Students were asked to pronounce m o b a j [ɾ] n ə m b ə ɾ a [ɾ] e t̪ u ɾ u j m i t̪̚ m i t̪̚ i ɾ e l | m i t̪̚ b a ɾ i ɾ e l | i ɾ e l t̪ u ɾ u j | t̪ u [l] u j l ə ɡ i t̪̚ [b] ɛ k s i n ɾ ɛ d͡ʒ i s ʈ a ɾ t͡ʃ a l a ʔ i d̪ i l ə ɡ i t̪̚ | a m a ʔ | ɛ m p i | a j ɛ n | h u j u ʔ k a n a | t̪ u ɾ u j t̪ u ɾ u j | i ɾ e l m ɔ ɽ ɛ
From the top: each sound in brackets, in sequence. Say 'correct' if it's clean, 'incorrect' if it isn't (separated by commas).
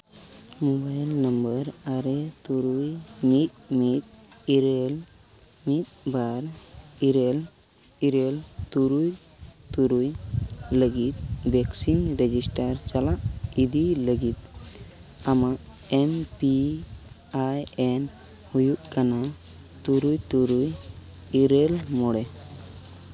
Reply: incorrect, correct, incorrect, correct